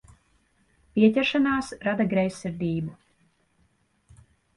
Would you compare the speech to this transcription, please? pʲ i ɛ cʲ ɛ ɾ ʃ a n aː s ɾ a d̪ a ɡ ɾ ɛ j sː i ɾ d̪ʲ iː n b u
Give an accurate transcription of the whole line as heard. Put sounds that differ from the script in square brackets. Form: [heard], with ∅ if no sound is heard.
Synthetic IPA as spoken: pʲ i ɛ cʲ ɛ ɾ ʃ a n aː s ɾ a d̪ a ɡ ɾ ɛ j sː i ɾ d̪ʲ iː [∅] b u